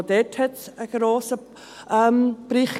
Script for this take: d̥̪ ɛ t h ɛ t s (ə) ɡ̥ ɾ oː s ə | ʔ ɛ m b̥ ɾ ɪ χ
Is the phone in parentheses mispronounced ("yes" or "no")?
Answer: no